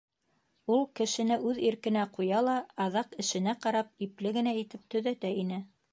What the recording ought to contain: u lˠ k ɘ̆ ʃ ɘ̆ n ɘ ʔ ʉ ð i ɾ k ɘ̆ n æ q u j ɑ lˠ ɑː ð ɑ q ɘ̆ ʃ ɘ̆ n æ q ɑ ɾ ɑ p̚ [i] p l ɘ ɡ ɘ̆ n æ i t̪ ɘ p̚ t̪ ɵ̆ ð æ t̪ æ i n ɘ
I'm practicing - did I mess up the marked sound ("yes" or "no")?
no